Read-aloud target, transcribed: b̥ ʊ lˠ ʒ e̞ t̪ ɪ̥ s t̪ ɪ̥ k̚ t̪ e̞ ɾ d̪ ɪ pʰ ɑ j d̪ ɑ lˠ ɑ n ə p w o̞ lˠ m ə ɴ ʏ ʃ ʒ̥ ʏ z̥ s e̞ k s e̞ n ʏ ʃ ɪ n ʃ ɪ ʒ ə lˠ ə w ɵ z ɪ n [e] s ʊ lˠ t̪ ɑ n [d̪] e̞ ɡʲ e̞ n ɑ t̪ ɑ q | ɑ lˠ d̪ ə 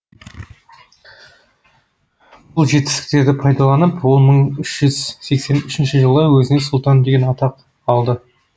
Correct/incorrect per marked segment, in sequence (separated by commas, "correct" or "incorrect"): correct, correct